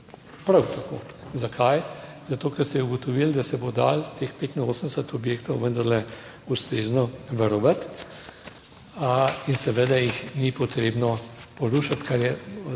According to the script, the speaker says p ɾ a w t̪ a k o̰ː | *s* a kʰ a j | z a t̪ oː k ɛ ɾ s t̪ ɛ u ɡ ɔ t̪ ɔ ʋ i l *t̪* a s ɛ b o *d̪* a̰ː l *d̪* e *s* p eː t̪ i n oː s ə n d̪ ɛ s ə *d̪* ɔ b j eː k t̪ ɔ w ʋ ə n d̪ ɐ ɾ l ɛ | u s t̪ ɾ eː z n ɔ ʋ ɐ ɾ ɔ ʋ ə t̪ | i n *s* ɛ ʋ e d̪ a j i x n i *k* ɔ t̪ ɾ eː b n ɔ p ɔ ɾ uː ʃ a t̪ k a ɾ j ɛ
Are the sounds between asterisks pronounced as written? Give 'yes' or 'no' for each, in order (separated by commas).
no, no, yes, no, no, no, yes, no